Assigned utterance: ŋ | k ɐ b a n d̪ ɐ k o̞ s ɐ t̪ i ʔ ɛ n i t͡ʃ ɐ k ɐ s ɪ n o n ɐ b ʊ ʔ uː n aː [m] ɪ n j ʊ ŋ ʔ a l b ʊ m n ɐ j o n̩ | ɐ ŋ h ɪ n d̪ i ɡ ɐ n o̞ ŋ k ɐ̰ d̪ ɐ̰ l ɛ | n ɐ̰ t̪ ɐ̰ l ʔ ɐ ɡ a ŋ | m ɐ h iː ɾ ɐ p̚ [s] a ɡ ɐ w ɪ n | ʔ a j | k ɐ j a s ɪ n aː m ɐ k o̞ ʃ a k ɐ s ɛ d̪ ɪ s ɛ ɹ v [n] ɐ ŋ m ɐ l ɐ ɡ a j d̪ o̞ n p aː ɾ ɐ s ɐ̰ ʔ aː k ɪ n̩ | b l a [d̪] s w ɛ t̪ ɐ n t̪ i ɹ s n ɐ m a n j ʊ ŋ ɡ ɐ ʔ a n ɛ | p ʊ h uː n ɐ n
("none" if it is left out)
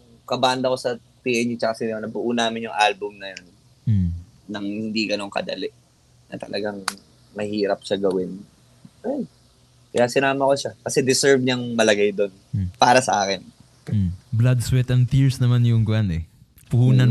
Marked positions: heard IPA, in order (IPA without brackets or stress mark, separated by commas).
m, ʃ, ɲ, d̪